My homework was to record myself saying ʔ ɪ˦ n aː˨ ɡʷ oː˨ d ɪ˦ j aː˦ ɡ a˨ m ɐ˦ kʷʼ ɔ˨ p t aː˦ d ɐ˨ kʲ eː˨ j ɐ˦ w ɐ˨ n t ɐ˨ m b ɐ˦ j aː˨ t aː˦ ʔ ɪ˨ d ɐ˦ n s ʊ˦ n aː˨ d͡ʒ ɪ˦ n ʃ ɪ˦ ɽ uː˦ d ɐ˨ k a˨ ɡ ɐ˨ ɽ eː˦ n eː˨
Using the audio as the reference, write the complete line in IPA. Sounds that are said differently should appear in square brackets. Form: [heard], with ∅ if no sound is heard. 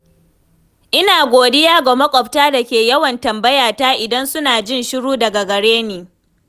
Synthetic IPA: ʔ ɪ˦ n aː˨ ɡʷ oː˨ d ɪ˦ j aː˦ ɡ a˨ m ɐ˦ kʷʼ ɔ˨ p t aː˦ d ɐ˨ kʲ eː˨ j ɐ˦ w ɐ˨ n t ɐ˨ m b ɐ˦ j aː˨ t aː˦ ʔ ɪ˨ d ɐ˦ n s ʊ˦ n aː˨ d͡ʒ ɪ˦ n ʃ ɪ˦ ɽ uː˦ d ɐ˨ [ɡ] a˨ ɡ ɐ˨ ɽ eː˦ n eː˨